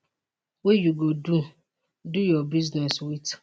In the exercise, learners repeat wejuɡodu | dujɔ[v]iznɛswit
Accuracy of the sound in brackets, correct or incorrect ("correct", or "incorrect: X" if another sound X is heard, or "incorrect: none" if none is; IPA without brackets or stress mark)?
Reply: incorrect: b